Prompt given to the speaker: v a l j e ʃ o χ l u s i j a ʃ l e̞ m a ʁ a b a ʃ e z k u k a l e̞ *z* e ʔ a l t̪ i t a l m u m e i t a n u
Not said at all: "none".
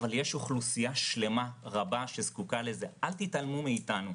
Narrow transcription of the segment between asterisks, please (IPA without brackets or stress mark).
z